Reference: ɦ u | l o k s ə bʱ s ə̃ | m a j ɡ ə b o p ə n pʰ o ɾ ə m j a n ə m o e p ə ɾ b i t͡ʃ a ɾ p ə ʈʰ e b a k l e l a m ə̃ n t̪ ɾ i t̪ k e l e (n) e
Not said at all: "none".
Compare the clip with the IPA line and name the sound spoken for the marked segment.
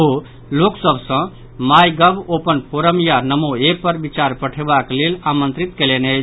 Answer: n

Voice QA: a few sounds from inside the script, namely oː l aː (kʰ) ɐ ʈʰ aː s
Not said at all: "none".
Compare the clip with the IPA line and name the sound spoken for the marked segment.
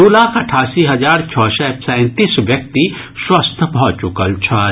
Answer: kʰ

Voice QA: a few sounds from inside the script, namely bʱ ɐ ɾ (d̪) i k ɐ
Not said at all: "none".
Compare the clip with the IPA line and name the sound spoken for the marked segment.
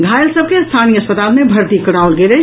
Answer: t̪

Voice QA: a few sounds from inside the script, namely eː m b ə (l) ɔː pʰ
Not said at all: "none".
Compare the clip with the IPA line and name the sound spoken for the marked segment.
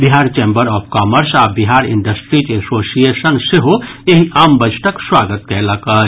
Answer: ɾ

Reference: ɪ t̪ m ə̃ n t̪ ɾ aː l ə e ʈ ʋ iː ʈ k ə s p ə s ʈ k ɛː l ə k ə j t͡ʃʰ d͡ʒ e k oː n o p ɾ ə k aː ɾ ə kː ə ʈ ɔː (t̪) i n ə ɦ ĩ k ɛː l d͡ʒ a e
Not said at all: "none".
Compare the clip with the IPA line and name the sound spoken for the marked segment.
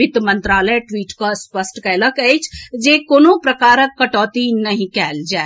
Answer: t̪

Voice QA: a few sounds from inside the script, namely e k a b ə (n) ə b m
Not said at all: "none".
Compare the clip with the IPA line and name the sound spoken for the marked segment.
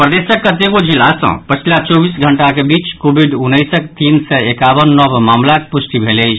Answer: nː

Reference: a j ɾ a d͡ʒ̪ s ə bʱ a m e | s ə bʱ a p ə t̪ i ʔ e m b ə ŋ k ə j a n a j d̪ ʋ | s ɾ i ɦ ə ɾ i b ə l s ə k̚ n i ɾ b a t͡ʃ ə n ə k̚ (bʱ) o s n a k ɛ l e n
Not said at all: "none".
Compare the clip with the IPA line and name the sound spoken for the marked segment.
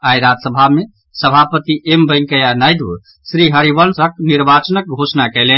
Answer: ɡʱ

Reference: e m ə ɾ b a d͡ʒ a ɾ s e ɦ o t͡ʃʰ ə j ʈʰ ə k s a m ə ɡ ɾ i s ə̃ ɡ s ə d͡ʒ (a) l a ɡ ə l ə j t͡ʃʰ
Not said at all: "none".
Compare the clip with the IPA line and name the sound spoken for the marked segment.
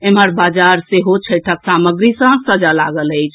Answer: a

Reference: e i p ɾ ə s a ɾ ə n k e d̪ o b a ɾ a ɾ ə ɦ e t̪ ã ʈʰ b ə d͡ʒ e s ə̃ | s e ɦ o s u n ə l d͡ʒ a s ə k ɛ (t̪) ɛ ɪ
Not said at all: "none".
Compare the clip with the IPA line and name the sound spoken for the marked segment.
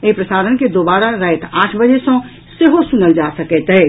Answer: t̪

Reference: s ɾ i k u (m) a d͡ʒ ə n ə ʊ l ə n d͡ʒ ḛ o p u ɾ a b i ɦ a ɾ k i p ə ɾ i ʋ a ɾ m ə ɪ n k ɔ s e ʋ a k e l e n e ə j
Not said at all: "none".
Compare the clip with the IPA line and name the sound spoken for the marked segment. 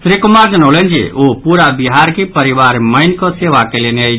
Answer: m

